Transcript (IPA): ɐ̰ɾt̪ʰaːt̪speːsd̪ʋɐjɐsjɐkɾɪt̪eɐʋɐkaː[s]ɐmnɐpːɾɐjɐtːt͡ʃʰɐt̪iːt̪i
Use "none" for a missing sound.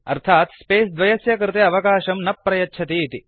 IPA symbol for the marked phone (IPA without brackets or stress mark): ʃ